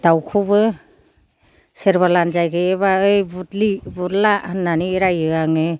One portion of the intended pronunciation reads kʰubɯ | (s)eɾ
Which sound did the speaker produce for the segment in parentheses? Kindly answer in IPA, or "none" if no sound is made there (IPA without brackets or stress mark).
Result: s